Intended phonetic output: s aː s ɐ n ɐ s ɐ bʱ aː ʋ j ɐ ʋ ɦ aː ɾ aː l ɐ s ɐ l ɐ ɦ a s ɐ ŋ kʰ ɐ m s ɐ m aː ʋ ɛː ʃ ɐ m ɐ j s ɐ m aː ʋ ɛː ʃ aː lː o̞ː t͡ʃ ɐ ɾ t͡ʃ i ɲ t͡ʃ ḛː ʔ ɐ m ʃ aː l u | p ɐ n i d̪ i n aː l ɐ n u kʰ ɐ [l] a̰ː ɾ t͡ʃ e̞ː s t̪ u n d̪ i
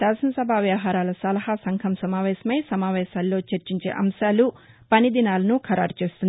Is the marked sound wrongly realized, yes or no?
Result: yes